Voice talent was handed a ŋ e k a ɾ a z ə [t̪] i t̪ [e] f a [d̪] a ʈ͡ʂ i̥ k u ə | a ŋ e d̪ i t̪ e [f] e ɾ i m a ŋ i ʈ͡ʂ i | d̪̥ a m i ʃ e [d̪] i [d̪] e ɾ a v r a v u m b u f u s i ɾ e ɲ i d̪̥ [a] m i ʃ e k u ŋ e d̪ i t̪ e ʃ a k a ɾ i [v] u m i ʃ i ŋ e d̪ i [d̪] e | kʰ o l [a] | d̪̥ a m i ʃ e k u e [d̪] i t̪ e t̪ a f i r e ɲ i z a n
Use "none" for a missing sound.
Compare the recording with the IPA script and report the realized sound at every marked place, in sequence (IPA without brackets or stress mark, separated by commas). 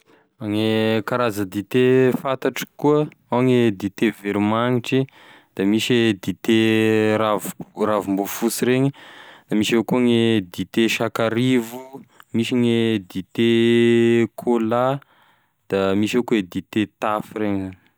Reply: d̪, e, t̪, v, d̪, t̪, a, v, t̪, a, d̪